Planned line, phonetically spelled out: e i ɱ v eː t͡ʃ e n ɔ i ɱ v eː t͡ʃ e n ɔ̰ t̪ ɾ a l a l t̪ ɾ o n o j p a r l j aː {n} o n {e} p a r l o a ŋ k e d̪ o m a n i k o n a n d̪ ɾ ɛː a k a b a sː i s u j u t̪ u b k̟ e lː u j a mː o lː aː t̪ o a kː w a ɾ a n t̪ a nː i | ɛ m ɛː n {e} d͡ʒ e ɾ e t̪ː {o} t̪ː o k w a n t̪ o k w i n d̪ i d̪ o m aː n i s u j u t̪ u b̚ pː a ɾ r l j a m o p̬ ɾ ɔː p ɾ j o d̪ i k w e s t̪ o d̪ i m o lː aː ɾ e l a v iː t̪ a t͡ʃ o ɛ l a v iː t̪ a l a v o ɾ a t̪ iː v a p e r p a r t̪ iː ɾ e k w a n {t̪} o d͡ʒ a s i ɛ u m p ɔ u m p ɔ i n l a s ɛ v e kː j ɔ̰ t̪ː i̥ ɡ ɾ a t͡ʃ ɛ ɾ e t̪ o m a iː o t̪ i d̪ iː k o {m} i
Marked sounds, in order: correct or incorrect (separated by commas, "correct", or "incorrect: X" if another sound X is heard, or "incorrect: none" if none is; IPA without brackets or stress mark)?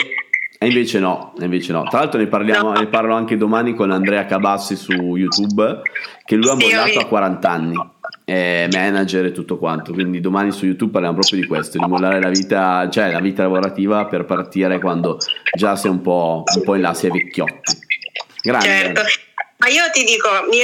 incorrect: m, correct, incorrect: a, incorrect: u, incorrect: d̪, correct